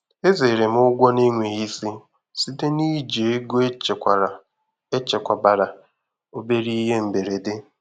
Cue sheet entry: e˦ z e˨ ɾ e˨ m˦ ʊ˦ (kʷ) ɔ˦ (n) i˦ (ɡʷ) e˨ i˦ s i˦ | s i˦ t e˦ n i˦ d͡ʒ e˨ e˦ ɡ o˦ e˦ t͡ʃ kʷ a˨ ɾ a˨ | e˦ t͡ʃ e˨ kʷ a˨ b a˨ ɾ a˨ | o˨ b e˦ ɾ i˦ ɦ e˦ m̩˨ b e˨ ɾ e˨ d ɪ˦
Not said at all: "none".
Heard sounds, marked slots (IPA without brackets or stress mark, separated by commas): ɡʷ, n, ŋʷ